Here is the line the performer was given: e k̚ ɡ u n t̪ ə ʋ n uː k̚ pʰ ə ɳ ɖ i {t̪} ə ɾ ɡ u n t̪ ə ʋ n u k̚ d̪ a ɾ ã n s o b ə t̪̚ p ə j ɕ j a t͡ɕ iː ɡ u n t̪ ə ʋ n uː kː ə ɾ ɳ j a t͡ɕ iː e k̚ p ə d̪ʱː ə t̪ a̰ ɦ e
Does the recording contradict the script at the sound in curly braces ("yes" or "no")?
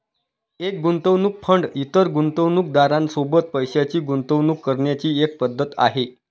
no